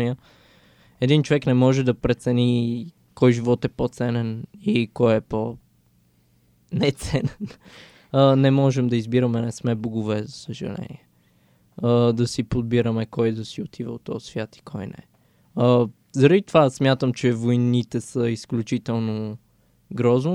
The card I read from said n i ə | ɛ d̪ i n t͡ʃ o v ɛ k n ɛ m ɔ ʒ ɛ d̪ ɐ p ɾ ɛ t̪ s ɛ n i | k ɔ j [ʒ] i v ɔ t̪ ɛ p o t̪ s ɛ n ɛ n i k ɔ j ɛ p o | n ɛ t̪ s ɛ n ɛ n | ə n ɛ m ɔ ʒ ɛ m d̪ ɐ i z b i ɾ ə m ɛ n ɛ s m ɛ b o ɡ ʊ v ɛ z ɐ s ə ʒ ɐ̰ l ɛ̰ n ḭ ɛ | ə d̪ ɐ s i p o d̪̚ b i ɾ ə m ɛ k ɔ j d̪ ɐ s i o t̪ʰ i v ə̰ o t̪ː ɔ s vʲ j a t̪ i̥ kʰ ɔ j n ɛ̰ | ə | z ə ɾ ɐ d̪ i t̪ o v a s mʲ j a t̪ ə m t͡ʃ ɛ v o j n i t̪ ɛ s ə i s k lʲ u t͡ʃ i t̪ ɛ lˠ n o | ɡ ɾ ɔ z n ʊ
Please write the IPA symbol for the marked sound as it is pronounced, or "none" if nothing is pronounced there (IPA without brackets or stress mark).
ʒ